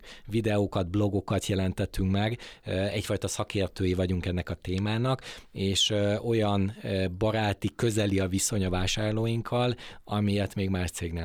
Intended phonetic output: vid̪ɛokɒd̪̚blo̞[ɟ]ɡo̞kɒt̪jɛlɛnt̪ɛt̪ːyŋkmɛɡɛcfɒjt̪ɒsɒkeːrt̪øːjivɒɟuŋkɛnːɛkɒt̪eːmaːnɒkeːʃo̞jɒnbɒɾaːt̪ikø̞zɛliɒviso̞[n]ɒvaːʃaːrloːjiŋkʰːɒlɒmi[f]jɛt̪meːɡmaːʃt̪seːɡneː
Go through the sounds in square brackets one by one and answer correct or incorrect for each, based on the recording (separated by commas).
incorrect, incorrect, incorrect